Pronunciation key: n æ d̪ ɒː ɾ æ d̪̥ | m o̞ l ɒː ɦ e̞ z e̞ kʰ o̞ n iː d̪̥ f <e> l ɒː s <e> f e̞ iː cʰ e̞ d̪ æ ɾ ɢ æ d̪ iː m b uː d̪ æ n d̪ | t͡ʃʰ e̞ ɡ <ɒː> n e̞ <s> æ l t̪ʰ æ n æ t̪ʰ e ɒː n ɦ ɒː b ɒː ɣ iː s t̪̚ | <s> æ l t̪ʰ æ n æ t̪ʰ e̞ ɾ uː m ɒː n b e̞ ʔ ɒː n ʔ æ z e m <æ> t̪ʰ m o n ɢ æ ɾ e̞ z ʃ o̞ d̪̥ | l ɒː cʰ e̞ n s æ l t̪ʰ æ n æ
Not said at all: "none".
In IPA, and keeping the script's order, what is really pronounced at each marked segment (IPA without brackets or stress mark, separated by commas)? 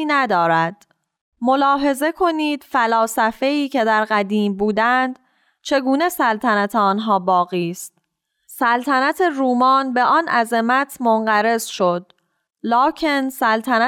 æ, æ, uː, s, s, æ